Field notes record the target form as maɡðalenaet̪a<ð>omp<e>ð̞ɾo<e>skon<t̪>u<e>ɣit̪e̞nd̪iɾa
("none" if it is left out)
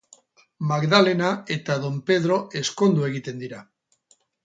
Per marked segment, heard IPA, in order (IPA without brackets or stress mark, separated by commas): ð, e, e, d̪, e